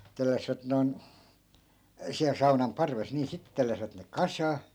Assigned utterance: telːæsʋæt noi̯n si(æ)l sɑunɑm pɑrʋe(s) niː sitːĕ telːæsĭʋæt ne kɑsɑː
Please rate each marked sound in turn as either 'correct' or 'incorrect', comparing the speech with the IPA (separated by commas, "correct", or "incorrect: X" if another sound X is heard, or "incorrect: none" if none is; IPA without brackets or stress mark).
correct, correct